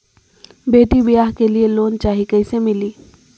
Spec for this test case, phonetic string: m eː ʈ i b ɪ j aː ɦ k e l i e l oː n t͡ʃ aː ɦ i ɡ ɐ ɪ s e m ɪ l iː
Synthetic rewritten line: b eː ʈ i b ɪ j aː ɦ k e l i e l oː n t͡ʃ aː ɦ i k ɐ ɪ s e m ɪ l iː